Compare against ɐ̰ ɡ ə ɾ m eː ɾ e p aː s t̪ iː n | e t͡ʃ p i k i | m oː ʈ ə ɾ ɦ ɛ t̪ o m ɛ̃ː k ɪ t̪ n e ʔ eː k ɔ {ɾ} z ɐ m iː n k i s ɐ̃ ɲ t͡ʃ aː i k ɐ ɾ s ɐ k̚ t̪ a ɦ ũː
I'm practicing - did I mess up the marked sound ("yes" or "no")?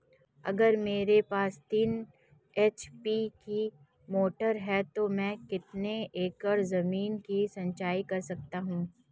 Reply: no